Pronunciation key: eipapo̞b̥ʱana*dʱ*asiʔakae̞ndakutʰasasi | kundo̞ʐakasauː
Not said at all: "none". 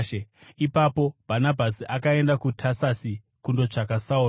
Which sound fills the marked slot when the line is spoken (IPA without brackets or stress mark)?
bʱ